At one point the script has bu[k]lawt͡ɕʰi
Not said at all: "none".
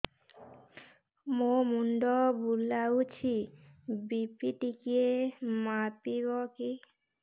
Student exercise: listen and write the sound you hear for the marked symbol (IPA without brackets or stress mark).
none